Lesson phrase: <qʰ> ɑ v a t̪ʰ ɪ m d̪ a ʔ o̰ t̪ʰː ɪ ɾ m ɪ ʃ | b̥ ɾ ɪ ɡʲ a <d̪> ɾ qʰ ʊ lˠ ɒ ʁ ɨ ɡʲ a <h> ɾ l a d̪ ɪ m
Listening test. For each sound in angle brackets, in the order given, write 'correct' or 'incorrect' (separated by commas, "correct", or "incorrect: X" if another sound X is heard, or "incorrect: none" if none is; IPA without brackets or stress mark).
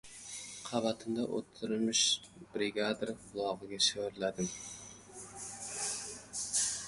correct, correct, incorrect: ʃ